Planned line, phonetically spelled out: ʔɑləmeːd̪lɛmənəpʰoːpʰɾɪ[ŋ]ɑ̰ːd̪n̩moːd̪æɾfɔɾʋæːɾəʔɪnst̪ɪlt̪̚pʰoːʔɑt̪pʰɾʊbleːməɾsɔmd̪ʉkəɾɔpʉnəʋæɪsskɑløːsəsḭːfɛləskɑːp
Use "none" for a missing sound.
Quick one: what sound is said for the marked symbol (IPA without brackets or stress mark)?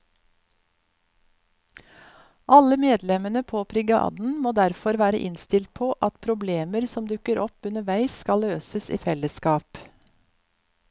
ɡ